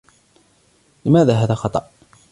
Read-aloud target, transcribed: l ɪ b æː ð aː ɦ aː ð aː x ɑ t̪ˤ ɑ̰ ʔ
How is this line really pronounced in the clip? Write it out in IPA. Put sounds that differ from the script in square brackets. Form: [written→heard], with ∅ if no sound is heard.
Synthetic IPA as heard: l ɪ [b→m] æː ð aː ɦ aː ð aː x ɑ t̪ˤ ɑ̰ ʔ